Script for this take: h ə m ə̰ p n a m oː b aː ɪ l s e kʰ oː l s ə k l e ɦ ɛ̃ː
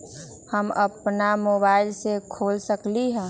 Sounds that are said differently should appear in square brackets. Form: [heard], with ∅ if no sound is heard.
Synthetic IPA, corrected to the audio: h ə m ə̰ p n a m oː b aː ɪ l s e kʰ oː l s ə k l [i] ɦ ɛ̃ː